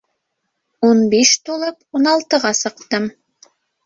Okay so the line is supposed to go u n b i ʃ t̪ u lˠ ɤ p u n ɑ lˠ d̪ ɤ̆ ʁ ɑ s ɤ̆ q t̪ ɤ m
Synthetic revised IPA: u n b i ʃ t̪ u lˠ ɤ p u n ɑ lˠ t̪ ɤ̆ ʁ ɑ s ɤ̆ q t̪ ɤ m